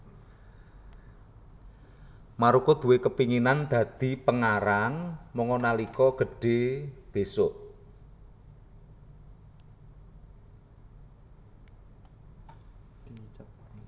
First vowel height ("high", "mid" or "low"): low